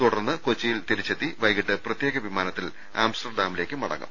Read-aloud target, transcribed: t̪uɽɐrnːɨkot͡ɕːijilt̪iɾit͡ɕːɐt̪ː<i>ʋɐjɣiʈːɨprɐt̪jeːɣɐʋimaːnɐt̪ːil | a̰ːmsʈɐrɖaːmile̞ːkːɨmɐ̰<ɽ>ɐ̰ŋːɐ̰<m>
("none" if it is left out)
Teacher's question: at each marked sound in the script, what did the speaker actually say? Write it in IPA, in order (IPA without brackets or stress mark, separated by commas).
i, ɽ, m